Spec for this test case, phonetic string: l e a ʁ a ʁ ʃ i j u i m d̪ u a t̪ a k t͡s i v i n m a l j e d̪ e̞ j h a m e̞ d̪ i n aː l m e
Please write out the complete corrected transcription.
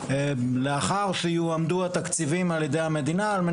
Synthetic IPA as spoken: l e a χ a ʁ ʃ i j u a m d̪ u a t̪ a k t͡s i v i m a l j e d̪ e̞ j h a m e̞ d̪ i n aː l m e